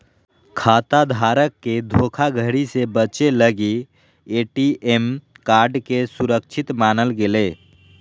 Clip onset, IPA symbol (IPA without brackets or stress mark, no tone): kʰ